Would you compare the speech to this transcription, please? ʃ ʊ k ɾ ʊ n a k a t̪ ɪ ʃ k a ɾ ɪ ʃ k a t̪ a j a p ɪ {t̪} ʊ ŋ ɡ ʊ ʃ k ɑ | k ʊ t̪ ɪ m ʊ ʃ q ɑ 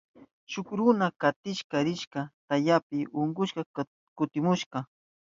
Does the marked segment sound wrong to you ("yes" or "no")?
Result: yes